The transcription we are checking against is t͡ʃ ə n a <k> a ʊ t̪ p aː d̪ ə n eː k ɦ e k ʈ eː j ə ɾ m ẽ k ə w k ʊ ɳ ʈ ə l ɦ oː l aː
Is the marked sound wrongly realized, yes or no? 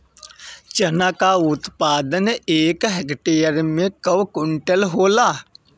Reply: no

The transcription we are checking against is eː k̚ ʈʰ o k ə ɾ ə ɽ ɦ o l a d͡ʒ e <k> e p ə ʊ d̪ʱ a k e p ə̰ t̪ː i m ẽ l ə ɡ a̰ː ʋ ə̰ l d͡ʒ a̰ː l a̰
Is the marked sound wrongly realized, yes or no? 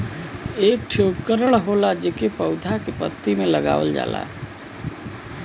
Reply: no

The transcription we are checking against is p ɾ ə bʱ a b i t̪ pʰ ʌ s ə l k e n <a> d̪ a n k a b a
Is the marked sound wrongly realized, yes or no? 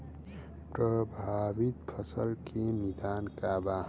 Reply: yes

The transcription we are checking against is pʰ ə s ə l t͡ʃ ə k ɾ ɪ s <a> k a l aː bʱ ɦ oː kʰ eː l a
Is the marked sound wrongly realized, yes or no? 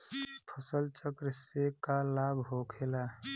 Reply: yes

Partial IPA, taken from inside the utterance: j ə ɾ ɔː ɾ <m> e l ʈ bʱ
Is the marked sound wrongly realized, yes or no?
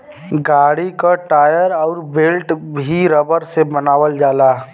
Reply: yes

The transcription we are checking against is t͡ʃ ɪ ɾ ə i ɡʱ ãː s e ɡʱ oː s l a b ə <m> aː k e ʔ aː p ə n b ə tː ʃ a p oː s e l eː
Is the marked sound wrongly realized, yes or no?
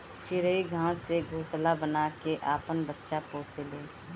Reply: yes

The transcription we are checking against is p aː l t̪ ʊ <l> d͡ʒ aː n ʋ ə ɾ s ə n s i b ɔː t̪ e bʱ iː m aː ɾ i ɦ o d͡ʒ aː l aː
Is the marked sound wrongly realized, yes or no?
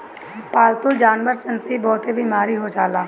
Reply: no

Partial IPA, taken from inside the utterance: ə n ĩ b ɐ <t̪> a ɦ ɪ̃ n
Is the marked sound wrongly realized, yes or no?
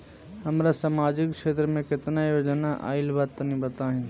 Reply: no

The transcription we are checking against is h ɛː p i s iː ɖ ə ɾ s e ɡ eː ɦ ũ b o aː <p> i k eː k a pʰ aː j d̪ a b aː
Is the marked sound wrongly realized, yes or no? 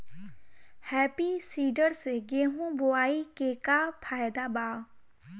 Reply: yes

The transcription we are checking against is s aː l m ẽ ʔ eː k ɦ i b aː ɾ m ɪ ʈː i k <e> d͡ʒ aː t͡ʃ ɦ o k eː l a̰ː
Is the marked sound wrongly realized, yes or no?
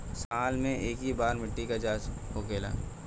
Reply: yes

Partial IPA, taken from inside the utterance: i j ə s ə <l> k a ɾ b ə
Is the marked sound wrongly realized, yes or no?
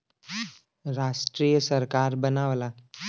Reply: yes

